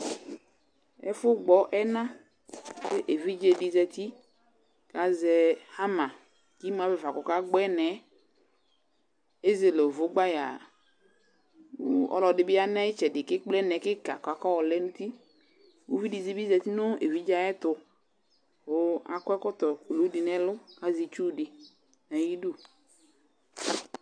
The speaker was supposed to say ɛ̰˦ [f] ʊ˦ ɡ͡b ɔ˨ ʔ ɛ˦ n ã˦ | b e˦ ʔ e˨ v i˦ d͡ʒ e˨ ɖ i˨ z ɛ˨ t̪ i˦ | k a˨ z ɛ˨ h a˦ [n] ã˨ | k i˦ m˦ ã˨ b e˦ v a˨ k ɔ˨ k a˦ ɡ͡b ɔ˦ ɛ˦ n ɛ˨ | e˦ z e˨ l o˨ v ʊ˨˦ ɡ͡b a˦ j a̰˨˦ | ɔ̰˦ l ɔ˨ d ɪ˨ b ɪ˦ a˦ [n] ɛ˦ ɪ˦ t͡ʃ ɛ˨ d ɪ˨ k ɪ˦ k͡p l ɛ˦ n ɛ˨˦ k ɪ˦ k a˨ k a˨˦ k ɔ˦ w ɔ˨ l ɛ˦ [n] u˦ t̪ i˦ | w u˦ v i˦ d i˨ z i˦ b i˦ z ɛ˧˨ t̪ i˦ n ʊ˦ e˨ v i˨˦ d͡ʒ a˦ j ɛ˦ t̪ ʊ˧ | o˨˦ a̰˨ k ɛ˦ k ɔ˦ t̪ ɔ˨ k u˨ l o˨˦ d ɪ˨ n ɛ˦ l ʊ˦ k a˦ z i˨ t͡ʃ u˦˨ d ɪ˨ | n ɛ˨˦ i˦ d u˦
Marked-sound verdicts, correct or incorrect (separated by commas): correct, incorrect, correct, correct